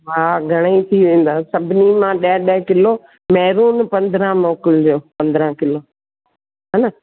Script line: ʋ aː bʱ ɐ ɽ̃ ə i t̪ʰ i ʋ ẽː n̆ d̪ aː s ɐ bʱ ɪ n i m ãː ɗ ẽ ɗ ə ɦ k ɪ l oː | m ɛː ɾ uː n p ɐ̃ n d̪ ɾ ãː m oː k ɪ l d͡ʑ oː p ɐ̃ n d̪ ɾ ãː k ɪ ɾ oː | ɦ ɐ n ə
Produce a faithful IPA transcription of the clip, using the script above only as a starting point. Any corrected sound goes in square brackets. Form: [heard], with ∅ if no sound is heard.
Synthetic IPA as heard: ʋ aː [ɡʱ] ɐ ɽ̃ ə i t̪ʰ i ʋ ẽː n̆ d̪ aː s ɐ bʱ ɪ n i m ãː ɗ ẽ ɗ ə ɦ k ɪ l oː | m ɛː ɾ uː n p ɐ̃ n d̪ ɾ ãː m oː k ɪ l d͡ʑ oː p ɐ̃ n d̪ ɾ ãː k ɪ [l] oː | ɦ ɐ n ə

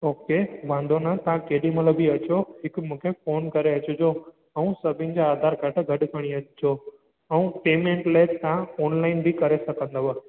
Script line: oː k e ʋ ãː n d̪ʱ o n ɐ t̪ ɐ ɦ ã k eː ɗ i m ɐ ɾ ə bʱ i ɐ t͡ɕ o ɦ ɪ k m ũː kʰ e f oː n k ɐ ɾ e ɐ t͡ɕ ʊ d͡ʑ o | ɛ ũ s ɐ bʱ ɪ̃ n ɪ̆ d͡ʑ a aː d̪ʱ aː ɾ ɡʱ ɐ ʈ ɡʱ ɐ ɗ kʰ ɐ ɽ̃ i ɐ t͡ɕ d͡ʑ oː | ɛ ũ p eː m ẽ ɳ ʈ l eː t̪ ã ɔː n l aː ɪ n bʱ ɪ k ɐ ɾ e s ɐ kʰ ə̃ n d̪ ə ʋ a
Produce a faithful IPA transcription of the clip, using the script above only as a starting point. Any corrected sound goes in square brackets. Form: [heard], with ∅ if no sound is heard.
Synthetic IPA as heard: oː k e ʋ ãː n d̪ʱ o n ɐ t̪ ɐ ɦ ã k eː ɗ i m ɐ [l] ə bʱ i ɐ t͡ɕ o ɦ ɪ k m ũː kʰ e f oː n k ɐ ɾ e ɐ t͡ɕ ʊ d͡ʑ o | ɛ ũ s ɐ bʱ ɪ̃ n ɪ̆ d͡ʑ a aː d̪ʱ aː ɾ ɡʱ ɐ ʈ ɡʱ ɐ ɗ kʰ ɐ ɽ̃ i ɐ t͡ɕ d͡ʑ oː | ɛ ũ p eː m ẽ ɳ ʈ l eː t̪ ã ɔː n l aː ɪ n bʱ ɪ k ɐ ɾ e s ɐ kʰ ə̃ n d̪ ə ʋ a

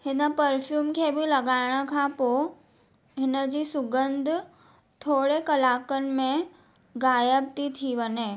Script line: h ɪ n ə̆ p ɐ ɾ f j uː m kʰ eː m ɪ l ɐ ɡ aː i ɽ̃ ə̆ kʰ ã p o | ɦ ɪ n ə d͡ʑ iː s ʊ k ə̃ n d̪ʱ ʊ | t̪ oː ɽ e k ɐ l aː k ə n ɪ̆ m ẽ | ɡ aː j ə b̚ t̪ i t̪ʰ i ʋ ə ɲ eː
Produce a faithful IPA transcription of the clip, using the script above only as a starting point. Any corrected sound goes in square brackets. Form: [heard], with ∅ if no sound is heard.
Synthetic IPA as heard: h ɪ n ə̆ p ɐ ɾ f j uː m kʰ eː [b] ɪ l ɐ ɡ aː [ɪ] ɽ̃ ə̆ kʰ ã p o | ɦ ɪ n ə d͡ʑ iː s ʊ [ɡ] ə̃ n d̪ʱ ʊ | [t̪ʰ] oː ɽ e k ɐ l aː k ə n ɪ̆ m ẽ | ɡ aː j ə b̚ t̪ i t̪ʰ i ʋ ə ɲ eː

